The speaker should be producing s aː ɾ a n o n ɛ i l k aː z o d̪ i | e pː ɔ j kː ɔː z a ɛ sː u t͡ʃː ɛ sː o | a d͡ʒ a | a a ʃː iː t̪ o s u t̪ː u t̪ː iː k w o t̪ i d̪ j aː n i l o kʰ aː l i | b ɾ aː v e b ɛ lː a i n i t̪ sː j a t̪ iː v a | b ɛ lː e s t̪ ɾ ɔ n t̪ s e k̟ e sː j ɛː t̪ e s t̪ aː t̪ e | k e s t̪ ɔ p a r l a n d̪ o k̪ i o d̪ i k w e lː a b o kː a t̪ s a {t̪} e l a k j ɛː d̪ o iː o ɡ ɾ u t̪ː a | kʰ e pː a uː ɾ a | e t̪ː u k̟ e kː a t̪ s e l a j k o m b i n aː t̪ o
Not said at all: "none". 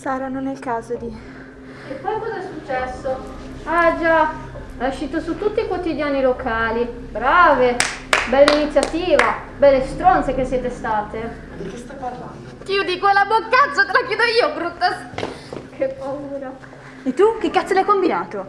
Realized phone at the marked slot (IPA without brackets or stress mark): t̪